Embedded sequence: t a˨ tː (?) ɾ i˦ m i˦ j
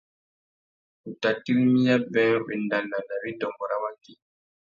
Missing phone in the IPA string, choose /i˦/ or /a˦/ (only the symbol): i˦